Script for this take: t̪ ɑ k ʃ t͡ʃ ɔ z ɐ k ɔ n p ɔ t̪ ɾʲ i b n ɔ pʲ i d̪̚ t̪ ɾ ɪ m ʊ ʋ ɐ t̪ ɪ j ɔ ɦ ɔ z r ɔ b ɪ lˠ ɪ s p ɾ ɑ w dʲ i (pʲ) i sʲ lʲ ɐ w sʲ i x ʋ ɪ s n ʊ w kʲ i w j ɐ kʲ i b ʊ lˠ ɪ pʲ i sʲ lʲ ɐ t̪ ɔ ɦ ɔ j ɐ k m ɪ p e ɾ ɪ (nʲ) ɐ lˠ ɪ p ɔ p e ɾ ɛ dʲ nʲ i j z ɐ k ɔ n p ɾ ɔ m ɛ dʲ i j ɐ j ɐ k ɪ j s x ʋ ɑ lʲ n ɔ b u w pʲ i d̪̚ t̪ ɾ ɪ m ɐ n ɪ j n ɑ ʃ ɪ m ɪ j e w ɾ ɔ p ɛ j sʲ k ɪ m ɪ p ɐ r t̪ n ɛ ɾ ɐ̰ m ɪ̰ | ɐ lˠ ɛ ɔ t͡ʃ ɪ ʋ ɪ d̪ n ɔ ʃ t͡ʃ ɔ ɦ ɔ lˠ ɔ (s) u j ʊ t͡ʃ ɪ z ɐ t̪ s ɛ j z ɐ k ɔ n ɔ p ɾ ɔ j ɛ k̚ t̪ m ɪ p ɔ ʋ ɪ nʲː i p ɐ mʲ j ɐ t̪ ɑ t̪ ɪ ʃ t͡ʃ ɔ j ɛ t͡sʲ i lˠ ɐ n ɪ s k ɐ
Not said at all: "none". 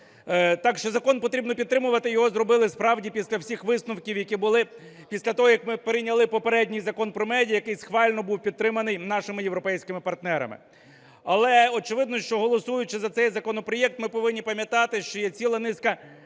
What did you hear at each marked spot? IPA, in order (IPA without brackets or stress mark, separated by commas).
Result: pʲ, nʲ, s